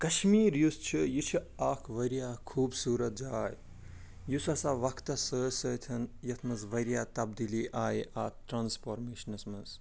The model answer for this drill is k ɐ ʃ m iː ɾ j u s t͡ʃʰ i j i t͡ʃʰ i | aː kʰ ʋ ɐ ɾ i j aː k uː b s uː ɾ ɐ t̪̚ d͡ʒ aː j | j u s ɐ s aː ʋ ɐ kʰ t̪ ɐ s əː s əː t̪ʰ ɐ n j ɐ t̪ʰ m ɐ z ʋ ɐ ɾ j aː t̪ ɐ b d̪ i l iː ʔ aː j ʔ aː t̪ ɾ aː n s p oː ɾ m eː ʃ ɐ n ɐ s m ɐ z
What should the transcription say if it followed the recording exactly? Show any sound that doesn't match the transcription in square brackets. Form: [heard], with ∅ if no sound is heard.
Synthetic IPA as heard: k ɐ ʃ m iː ɾ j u s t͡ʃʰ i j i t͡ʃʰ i | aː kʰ ʋ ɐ ɾ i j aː [kʰ] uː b s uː ɾ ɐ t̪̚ d͡ʒ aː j | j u s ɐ s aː ʋ ɐ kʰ t̪ ɐ s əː s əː t̪ʰ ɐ n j ɐ t̪ʰ m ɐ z ʋ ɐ ɾ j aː t̪ ɐ b d̪ i l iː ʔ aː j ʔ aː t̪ ɾ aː n s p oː ɾ m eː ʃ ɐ n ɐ s m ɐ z